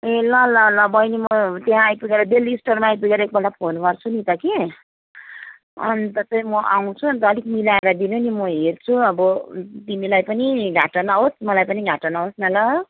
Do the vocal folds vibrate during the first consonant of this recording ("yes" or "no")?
yes